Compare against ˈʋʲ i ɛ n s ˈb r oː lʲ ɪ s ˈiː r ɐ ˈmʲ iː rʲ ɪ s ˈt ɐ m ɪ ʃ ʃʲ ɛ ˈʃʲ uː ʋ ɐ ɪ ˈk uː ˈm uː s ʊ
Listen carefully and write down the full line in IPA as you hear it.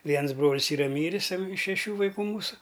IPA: ˈʋʲ i ɛ n s ˈb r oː lʲ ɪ s ˈiː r ɐ ˈmʲ iː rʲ ɪ s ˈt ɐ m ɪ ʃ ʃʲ ɛ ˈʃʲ uː ʋ ɐ ɪ ˈk uː ˈm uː s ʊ